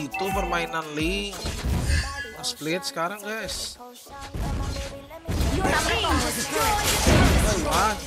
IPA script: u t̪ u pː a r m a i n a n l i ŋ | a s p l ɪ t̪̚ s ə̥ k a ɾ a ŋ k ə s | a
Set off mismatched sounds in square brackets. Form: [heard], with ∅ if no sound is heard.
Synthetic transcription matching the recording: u t̪ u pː [ə] r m a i n a n l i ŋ | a s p l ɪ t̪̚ s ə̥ k a ɾ a ŋ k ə s | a